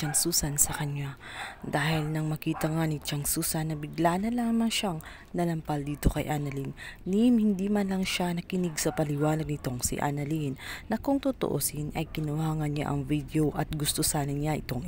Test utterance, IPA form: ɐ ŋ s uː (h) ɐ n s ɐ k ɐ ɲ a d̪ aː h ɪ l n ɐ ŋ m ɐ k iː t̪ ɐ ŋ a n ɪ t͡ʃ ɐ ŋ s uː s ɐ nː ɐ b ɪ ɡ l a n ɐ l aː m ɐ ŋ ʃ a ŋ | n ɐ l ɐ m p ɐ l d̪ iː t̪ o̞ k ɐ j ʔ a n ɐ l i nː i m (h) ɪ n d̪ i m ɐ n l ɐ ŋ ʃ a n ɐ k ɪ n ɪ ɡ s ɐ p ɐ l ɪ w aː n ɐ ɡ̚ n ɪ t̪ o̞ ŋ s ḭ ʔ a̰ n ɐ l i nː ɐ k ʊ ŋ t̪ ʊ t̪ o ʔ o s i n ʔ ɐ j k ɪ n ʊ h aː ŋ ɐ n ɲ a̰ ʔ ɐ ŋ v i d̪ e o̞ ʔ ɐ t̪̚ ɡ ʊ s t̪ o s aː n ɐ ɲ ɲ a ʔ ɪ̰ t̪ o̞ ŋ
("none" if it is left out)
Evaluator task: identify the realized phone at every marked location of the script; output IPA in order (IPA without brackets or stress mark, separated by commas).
s, h